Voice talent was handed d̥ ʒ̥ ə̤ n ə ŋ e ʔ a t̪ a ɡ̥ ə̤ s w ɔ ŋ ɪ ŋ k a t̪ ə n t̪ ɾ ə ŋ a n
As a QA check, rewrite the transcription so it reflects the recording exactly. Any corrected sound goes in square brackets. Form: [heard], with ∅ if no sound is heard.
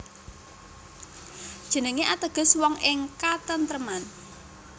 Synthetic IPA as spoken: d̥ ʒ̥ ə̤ n ə ŋ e ʔ a t̪ [ə] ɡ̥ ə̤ s w ɔ ŋ ɪ ŋ k a t̪ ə n t̪ ɾ ə [m] a n